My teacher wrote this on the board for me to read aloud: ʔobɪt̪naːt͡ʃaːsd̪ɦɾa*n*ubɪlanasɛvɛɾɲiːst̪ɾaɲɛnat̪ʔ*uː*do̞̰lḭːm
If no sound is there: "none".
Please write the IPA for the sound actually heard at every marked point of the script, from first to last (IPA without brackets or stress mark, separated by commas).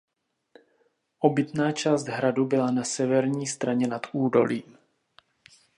d, uː